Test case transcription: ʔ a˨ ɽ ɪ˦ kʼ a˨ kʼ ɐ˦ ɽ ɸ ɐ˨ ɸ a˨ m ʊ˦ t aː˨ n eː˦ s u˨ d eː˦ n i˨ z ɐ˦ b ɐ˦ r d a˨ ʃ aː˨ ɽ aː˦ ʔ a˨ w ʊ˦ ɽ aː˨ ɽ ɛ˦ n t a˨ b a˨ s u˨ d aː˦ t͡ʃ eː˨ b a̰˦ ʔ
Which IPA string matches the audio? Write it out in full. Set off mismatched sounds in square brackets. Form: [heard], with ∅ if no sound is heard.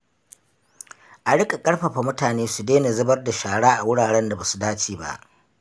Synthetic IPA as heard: ʔ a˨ ɽ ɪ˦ kʼ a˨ kʼ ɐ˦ ɽ ɸ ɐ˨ ɸ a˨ m ʊ˦ t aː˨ n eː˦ s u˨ d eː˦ n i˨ z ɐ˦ b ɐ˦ r d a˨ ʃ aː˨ ɽ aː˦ ʔ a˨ w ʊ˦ ɽ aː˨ ɽ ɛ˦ n [d] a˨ b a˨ s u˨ d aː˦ t͡ʃ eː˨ b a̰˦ ʔ